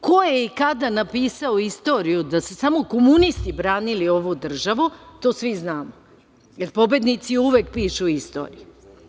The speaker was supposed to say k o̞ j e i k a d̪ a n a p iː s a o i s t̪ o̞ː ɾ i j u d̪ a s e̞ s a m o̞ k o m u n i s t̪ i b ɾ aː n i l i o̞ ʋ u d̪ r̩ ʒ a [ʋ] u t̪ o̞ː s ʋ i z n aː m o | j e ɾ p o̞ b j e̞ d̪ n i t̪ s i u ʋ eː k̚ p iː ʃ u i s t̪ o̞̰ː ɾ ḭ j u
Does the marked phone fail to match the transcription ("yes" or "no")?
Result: no